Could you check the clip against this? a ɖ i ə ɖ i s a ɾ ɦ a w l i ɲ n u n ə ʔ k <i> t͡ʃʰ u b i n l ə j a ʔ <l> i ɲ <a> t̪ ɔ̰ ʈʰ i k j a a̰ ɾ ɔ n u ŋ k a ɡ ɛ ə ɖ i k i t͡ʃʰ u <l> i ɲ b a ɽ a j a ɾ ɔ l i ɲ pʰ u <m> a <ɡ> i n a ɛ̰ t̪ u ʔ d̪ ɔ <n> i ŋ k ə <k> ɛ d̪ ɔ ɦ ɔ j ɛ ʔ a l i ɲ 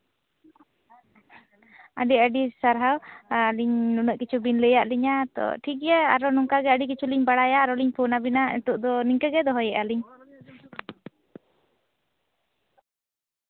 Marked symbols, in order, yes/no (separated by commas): yes, yes, yes, yes, no, no, yes, no